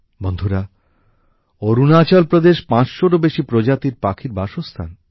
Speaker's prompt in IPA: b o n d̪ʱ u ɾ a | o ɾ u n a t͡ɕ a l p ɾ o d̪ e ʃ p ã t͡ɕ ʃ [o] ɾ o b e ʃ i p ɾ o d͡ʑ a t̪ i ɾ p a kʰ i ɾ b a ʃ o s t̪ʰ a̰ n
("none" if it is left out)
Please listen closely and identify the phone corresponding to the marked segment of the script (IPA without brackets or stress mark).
o